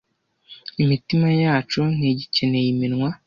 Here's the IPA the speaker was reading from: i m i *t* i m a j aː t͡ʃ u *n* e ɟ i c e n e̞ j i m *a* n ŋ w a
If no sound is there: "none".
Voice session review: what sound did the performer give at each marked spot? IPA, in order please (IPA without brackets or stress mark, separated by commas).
t, n, i